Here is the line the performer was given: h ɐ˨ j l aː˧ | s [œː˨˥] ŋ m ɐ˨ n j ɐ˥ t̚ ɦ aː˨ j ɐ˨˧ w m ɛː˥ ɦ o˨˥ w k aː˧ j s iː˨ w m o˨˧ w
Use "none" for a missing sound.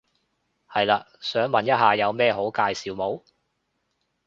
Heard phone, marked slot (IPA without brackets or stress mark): œː˨˥